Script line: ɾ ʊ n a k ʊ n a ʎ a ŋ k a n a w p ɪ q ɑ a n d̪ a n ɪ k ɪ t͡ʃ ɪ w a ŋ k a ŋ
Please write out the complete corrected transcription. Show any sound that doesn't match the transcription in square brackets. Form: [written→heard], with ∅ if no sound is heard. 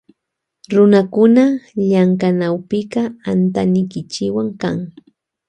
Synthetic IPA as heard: ɾ ʊ n a k ʊ n a ʎ a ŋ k a n a w p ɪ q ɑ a n [d̪→t̪] a n ɪ k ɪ t͡ʃ ɪ w a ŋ k a ŋ

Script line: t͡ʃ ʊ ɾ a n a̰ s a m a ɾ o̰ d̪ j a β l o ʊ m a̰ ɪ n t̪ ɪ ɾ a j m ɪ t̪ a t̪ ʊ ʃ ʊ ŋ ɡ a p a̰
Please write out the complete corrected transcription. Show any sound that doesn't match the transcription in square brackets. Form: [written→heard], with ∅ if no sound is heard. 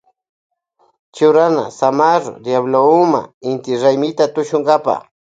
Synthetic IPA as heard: t͡ʃ ʊ ɾ a n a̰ s a m a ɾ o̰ d̪ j a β l o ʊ m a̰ ɪ n t̪ ɪ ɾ a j m ɪ t̪ a t̪ ʊ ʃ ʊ ŋ ɡ a p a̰

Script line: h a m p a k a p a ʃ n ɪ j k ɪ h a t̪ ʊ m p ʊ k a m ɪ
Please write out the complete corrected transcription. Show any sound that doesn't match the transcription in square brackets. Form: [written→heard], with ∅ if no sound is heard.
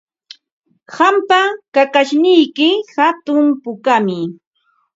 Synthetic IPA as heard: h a m p a k a [p→k] a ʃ n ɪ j k ɪ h a t̪ ʊ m p ʊ k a m ɪ

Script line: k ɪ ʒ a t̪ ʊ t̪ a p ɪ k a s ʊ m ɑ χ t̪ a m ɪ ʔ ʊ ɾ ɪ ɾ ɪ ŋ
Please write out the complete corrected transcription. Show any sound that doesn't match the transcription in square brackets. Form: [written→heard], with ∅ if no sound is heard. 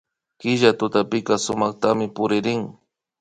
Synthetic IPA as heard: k ɪ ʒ a t̪ ʊ t̪ a p ɪ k a s ʊ m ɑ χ t̪ a m ɪ [ʔ→p] ʊ ɾ ɪ ɾ ɪ ŋ

